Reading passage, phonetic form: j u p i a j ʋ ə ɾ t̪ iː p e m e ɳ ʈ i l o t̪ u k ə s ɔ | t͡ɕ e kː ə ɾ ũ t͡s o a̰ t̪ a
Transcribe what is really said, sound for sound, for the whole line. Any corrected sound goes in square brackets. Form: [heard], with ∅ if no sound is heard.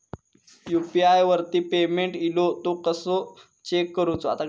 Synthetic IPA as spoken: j u p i a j ʋ ə ɾ t̪ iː p e m e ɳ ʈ i l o t̪ [o] k ə s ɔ | t͡ɕ e kː ə ɾ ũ t͡s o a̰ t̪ a